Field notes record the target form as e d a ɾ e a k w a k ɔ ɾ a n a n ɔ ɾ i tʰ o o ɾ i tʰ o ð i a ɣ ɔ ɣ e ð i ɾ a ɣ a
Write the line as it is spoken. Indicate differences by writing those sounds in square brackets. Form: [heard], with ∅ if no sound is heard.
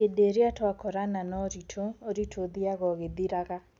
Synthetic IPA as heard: e d [e] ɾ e a [t] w a k ɔ ɾ a n a n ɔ ɾ i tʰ o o ɾ i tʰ o ð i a ɣ ɔ ɣ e ð i ɾ a ɣ a